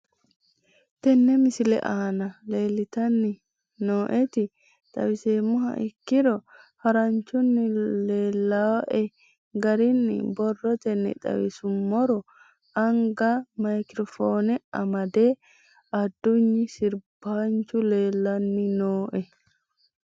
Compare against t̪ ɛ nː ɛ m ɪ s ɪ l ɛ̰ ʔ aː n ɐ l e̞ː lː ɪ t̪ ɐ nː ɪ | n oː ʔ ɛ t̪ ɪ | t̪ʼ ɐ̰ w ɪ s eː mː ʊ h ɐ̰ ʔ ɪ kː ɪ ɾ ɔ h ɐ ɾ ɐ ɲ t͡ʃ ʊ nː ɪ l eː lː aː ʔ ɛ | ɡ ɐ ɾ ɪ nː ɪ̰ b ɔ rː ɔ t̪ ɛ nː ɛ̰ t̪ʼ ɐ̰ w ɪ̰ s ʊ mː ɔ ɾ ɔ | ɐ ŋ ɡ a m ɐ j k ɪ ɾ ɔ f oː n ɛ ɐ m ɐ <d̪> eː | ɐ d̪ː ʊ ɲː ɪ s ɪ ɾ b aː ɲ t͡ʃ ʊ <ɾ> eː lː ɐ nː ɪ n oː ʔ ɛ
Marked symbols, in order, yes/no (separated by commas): yes, no